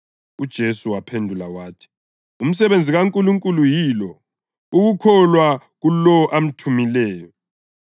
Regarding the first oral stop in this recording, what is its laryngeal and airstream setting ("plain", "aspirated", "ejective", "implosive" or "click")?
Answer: plain